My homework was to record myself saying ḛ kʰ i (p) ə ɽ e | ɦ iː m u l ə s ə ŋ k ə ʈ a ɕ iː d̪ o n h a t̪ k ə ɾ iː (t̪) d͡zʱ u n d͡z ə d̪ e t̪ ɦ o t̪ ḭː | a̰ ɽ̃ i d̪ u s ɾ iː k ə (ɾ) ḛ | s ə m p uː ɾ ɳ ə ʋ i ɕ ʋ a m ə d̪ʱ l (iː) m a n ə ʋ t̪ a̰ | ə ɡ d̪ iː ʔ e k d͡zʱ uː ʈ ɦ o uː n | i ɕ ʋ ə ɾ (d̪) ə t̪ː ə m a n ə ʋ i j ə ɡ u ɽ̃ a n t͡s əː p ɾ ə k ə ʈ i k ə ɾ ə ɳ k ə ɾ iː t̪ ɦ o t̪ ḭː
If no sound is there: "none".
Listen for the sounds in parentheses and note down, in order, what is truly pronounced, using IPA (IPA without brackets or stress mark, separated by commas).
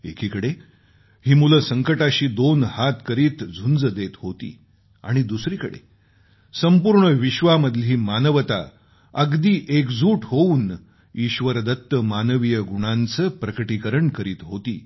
k, t̪, ɽ, iː, d̪